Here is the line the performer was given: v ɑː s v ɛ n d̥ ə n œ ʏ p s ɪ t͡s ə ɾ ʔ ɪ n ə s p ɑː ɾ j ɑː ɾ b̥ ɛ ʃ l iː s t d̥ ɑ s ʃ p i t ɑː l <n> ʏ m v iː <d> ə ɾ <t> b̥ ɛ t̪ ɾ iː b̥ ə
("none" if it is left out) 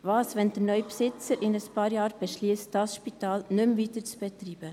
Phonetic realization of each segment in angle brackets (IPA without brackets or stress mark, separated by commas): n, t, t͡s